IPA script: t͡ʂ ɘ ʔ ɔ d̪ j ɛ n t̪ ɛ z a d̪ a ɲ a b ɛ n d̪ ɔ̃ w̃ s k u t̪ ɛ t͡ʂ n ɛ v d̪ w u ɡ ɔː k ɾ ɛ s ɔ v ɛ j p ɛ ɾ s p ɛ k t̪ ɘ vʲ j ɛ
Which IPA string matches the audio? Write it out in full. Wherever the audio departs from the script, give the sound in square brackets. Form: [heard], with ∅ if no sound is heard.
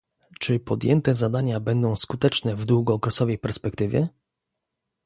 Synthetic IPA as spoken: t͡ʂ ɘ [p] ɔ d̪ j ɛ n t̪ ɛ z a d̪ a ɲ a b ɛ n d̪ ɔ̃ w̃ s k u t̪ ɛ t͡ʂ n ɛ v d̪ w u ɡ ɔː k ɾ ɛ s ɔ v ɛ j p ɛ ɾ s p ɛ k t̪ ɘ vʲ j ɛ